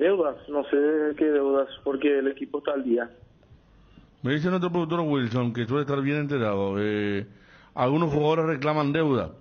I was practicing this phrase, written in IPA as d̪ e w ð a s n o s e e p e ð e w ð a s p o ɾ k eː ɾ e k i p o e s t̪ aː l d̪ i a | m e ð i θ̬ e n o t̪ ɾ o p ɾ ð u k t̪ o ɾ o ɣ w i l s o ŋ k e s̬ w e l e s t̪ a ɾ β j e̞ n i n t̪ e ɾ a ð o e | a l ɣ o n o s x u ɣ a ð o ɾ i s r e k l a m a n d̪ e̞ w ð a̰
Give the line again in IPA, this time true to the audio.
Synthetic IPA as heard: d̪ e w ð a s n o s e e k e ð e w ð a s p o ɾ k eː l e k i p o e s t̪ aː l d̪ i a | m e ð i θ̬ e n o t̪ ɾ o p ɾ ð u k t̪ o ɾ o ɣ w i l s o ŋ k e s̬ w e l e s t̪ a ɾ β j e̞ n e n t̪ e ɾ a ð o e | a l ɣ u n o s x u ɣ a ð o ɾ e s r e k l a m a n d̪ e̞ w ð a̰

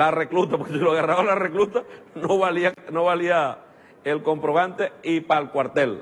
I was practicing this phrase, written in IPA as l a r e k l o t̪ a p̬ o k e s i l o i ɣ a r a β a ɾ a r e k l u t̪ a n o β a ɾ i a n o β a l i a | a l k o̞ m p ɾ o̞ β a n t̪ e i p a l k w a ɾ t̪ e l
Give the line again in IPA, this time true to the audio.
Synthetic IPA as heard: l a r e k l u t̪ a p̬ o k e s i l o a ɣ a r a β a l a r e k l u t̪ a n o β a l i a n o β a l i a | e l k o̞ m p ɾ o̞ β a n t̪ e i p a l k w a ɾ t̪ e l

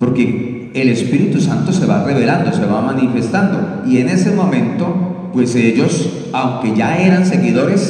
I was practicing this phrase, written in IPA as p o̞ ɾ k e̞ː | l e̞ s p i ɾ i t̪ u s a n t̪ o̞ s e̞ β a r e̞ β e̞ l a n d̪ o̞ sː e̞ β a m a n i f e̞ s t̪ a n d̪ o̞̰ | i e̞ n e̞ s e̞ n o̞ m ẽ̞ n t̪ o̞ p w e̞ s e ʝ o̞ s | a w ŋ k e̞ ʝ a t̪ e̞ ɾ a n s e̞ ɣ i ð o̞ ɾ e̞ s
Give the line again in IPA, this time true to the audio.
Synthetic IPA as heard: p o̞ ɾ k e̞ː | l e̞ s p i ɾ i t̪ u s a n t̪ o̞ s e̞ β a r e̞ β e̞ l a n d̪ o̞ s e̞ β a m a n i f e̞ s t̪ a n d̪ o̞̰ | i e̞ n e̞ s e̞ m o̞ m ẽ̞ n t̪ o̞ p w e̞ s e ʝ o̞ s | a w ŋ k e̞ ʝ a e̞ ɾ a n s e̞ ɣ i ð o̞ ɾ e̞ s

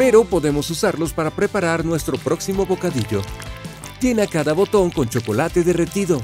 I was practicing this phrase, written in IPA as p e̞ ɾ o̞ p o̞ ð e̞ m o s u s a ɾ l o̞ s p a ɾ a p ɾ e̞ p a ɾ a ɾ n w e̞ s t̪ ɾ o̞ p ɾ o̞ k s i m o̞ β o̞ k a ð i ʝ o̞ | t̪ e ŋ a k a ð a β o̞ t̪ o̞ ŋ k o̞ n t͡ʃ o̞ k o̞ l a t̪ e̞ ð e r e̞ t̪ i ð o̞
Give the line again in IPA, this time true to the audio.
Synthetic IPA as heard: p e̞ ɾ o̞ p o̞ ð e̞ m o s u s a ɾ l o̞ s p a ɾ a p ɾ e̞ p a ɾ a ɾ n w e̞ s t̪ ɾ o̞ p ɾ o̞ k s i m o̞ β o̞ k a ð i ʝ o̞ | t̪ e n a k a ð a β o̞ t̪ o̞ ŋ k o̞ n t͡ʃ o̞ k o̞ l a t̪ e̞ ð e r e̞ t̪ i ð o̞

